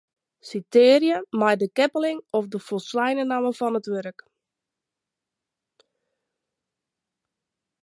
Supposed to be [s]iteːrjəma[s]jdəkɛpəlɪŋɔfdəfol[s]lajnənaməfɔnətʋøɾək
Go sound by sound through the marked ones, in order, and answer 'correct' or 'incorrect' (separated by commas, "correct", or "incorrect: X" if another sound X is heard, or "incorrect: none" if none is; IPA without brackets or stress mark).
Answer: correct, incorrect: none, correct